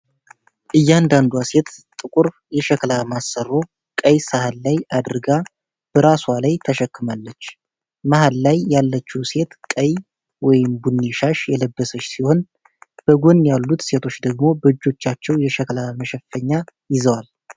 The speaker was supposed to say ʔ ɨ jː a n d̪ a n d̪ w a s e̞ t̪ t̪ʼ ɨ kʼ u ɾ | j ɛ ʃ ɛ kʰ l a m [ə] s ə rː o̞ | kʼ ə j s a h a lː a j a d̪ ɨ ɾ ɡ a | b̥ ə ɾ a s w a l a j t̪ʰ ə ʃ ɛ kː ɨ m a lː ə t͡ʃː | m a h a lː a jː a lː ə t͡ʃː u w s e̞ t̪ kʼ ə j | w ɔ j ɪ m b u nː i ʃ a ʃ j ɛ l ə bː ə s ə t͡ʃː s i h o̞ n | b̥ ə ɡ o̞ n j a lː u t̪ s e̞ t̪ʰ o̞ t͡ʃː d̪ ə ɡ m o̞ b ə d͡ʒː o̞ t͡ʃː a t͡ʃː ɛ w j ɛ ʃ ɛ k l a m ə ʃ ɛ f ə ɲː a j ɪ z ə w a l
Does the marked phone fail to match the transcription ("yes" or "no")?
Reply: yes